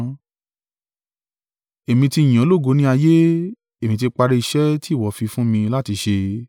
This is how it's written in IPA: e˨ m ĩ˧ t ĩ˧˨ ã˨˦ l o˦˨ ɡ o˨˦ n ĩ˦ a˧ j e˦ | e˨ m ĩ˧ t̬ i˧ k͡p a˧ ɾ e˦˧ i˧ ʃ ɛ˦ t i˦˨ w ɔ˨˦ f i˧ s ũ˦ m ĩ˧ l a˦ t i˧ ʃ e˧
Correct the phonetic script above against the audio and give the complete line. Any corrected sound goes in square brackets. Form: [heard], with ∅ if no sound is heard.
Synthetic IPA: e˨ m ĩ˧ t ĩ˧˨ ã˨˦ l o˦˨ ɡ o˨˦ n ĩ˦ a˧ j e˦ | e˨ m ĩ˧ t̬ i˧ k͡p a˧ ɾ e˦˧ i˧ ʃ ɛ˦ t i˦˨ w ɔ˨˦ f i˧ [f] ũ˦ m ĩ˧ l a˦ t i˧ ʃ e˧